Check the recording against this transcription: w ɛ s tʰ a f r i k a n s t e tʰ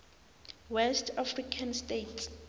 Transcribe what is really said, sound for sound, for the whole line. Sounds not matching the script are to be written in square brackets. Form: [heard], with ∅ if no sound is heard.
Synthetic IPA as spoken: w ɛ s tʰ a f r i [kʰ] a n s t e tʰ